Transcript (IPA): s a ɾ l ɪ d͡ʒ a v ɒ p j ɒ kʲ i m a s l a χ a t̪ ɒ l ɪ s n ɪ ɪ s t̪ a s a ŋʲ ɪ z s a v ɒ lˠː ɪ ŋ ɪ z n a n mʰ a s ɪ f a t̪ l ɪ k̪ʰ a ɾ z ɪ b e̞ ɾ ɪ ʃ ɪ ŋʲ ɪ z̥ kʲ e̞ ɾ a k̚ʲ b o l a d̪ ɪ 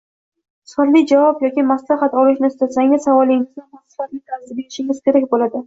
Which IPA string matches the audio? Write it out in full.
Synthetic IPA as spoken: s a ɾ l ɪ d͡ʒ a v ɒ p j ɒ kʲ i m a s l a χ a t̪ ɒ l ɪ ʃ n ɪ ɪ s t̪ a s a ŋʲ ɪ z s a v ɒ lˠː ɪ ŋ ɪ z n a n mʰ a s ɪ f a t̪ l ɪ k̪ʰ a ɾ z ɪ b e̞ ɾ ɪ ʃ ɪ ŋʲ ɪ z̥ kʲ e̞ ɾ a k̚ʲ b o l a d̪ ɪ